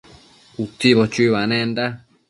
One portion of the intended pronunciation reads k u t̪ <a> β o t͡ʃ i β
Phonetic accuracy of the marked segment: incorrect: i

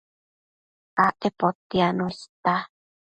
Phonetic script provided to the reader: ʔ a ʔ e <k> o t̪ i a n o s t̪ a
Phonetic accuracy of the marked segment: incorrect: p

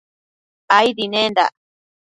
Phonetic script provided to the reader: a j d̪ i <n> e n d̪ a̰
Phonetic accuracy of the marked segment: correct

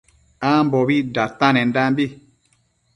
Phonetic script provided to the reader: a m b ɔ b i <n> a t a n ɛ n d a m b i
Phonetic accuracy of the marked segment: incorrect: d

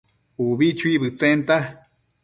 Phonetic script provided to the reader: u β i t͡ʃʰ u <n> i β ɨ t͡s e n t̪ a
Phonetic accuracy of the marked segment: incorrect: none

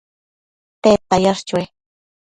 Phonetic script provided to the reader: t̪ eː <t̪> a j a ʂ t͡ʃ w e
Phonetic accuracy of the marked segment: correct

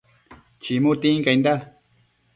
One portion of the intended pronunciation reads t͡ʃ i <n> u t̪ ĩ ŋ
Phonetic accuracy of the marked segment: incorrect: m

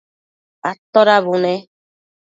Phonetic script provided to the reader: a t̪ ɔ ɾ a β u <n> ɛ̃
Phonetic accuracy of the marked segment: correct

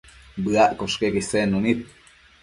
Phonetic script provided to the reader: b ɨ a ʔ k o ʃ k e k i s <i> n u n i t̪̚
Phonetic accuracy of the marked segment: incorrect: e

